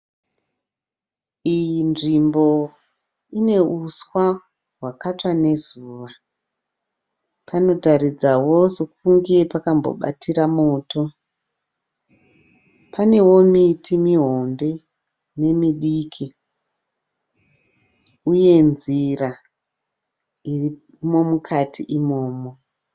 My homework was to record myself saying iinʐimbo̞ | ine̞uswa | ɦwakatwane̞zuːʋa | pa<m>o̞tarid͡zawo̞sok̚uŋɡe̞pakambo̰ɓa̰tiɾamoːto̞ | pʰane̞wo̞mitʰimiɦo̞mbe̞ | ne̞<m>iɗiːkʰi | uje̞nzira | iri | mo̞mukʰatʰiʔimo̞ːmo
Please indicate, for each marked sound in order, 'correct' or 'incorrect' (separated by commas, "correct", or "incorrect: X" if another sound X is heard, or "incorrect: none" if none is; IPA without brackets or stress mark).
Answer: incorrect: n, correct